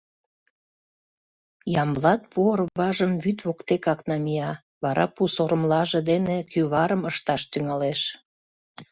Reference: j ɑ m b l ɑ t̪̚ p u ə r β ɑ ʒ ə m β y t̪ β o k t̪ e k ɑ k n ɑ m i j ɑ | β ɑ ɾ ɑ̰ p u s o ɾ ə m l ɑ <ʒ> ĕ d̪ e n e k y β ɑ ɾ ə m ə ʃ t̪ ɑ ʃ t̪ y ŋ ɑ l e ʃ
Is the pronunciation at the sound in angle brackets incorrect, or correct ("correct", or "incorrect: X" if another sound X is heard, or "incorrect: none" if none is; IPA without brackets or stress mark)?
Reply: correct